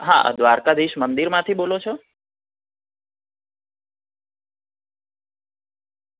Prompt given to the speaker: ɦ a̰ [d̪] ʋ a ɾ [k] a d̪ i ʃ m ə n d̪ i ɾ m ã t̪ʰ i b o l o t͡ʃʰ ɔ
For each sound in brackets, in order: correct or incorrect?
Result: correct, correct

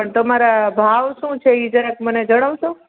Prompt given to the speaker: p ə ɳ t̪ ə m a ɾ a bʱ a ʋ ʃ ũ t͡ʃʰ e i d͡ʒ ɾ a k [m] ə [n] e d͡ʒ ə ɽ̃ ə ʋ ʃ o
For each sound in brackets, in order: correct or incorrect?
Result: correct, correct

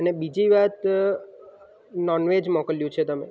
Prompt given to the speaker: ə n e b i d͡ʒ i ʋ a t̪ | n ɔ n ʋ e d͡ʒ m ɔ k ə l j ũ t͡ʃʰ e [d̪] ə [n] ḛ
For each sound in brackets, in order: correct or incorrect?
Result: incorrect: t̪, incorrect: m

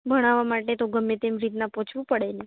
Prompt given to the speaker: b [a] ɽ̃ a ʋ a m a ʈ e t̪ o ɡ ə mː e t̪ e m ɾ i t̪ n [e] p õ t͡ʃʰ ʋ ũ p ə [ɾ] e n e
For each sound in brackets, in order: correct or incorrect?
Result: incorrect: ə, incorrect: a, incorrect: ɽ

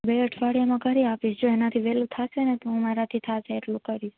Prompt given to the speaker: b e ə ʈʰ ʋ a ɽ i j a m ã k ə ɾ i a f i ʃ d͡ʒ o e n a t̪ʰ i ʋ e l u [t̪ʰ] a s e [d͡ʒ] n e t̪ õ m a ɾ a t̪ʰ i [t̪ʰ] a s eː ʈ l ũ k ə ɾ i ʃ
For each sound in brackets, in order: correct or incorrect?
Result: correct, incorrect: none, correct

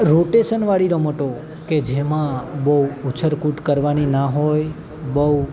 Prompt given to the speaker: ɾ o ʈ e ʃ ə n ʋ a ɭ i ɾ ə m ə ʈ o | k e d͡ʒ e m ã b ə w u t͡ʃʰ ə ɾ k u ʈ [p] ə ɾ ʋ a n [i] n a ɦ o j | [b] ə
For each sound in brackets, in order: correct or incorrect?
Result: incorrect: k, correct, correct

